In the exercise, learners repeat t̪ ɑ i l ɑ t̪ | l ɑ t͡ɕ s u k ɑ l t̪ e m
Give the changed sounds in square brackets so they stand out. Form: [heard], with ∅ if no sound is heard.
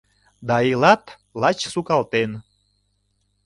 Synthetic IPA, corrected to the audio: [d̪] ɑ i l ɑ t̪ | l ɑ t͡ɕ s u k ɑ l t̪ e [n]

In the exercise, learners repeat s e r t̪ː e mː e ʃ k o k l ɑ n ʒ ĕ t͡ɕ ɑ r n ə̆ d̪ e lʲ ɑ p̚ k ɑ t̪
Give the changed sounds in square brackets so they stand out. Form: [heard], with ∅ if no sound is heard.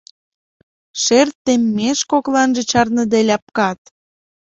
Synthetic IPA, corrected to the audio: [ʃ] e r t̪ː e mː e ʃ k o k l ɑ n ʒ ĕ t͡ɕ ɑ r n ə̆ d̪ e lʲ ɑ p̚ k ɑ t̪

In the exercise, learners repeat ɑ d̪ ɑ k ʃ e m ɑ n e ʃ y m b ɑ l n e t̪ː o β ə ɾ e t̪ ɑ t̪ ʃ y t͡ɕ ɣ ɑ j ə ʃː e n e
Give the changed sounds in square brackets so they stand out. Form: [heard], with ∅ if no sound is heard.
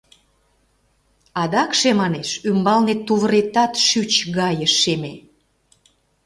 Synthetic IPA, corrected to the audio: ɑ d̪ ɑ k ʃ e m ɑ n e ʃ y m b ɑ l n e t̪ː [u] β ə ɾ e t̪ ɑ t̪ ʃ y t͡ɕ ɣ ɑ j ə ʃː e [m] e

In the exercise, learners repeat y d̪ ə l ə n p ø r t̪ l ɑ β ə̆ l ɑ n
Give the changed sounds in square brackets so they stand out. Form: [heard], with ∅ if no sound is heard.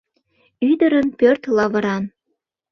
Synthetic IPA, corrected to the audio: y d̪ ə [ɾ] ə n p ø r t̪ l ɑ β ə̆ [ɾ] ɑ n

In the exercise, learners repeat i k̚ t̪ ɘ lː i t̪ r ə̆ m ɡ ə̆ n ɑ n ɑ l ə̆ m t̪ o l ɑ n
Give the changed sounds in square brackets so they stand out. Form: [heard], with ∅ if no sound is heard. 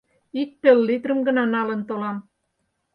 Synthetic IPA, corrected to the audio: i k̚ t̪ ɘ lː i t̪ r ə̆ m ɡ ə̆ n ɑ n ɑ l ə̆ [n] t̪ o l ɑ [m]

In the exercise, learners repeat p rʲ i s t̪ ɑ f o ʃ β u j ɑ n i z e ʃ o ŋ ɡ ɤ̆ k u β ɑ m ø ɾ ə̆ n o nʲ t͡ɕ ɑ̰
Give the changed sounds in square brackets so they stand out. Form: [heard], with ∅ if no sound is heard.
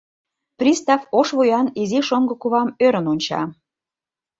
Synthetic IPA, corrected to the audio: p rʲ i s t̪ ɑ f o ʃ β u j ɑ n i z [i] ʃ o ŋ ɡ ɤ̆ k u β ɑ m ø ɾ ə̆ n o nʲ t͡ɕ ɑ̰

